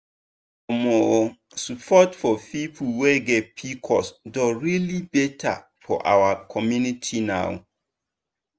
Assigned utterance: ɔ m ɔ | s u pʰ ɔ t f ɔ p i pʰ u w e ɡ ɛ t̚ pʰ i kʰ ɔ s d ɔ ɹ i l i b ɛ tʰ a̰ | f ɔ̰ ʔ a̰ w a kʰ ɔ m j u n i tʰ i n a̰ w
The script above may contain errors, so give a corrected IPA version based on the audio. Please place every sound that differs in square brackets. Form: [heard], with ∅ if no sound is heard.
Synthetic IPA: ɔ m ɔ | s u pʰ ɔ t f ɔ p i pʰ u w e ɡ ɛ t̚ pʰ i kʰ ɔ s d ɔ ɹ i l i b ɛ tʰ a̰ | f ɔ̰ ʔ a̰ w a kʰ ɔ m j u n i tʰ i n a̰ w